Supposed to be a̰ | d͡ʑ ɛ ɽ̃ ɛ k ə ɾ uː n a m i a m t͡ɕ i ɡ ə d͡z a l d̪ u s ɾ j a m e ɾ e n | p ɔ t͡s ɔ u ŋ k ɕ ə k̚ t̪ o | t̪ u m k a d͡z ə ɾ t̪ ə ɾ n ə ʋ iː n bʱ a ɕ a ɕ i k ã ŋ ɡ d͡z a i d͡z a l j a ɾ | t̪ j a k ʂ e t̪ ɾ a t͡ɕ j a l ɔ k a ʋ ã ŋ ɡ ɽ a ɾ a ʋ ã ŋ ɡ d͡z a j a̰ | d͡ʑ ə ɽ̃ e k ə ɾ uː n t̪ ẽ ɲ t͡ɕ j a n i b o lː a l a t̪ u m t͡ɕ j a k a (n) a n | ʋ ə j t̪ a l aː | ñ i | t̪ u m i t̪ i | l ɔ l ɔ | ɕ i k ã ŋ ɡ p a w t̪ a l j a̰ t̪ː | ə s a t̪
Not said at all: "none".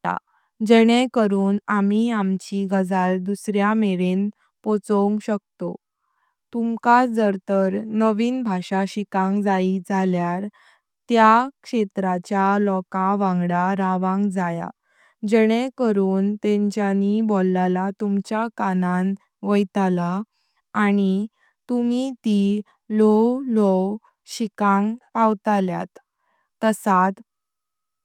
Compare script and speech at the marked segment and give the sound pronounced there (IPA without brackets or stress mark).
n